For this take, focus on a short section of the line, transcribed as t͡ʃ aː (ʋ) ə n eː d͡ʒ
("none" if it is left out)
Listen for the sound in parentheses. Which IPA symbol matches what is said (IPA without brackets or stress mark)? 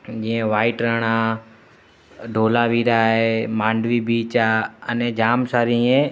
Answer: none